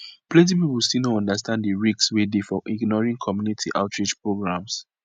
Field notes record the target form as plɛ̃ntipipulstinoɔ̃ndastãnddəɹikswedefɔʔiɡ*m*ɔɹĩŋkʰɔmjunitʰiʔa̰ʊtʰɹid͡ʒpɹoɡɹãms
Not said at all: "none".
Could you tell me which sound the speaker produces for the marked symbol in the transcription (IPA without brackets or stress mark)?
n